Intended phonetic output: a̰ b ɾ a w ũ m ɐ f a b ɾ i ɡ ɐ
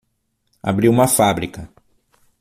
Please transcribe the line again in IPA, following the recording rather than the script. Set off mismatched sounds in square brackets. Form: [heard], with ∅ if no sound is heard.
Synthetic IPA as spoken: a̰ b ɾ [i] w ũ m ɐ f a b ɾ i [k] ɐ